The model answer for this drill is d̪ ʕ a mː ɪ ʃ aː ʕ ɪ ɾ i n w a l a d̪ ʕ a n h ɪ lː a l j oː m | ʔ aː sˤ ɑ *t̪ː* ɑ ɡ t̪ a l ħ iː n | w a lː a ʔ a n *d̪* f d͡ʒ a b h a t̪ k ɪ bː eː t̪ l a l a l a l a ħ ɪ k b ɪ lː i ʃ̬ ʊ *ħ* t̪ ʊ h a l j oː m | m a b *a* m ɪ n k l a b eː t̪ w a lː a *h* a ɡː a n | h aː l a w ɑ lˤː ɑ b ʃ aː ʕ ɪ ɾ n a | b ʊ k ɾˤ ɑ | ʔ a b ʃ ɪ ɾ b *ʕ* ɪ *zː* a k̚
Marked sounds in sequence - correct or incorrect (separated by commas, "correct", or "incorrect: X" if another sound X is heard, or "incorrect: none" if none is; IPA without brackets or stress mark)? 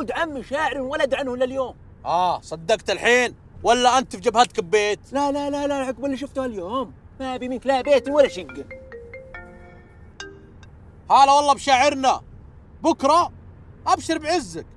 incorrect: d̪ː, incorrect: t̪, incorrect: f, incorrect: i, incorrect: ʃ, correct, correct